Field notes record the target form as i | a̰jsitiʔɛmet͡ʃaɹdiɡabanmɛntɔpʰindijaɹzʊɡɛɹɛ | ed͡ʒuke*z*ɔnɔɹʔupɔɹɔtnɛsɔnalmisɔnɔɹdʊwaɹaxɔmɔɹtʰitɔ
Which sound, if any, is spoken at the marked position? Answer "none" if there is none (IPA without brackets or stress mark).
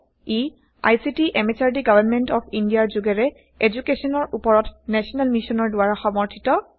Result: s